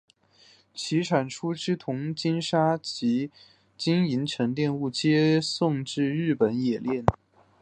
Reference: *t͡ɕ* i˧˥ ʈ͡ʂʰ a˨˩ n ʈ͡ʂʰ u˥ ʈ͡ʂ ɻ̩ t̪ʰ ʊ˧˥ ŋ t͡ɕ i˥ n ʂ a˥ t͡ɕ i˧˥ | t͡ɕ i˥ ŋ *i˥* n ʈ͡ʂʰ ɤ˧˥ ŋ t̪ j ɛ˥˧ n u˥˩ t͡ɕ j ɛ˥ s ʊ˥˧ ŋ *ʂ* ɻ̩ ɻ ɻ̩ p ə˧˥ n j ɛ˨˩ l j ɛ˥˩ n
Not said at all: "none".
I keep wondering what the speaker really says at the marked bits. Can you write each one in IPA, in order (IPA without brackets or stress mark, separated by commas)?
t͡ɕʰ, i˧˥, ʈ͡ʂ